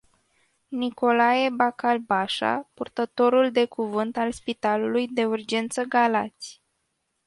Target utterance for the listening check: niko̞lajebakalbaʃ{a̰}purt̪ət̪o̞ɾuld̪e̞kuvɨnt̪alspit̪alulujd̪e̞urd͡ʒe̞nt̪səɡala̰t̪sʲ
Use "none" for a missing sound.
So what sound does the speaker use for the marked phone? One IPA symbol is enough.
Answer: a̰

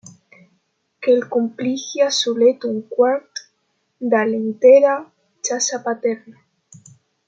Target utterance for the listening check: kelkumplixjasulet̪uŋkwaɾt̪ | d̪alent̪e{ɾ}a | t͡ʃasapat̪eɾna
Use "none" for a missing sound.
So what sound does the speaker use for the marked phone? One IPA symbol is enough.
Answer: ɾ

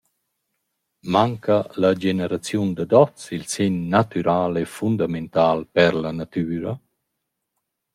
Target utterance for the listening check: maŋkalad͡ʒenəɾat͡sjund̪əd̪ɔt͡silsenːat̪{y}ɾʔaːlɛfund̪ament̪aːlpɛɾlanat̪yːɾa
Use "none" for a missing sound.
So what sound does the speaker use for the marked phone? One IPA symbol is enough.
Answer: y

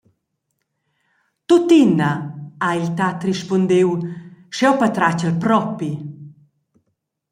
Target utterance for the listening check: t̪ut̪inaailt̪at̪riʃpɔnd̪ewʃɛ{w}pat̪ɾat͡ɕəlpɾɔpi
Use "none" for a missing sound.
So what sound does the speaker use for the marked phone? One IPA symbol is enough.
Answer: w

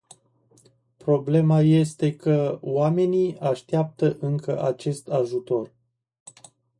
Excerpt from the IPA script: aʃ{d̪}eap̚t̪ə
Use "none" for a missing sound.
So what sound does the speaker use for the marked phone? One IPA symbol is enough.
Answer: t̪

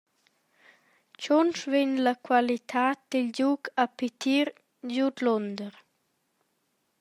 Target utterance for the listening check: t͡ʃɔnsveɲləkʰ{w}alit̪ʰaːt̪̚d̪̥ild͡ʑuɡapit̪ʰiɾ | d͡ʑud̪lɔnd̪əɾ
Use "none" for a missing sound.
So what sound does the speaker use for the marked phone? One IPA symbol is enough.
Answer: w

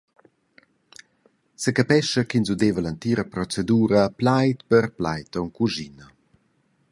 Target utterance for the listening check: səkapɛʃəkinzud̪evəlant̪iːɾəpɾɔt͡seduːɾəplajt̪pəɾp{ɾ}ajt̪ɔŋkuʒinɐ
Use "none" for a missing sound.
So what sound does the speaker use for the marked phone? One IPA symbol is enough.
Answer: l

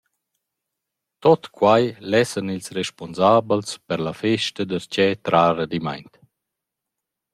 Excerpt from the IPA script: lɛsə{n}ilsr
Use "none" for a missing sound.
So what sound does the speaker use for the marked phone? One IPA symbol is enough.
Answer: n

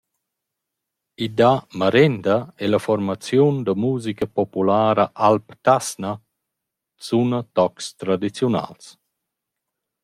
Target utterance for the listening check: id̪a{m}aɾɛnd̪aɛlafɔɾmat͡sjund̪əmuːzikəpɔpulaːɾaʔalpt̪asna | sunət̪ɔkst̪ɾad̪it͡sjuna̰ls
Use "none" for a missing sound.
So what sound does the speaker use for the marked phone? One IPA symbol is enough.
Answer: m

